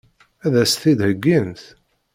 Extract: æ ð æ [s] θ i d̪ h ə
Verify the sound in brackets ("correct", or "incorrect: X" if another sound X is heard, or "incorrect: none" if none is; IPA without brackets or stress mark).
correct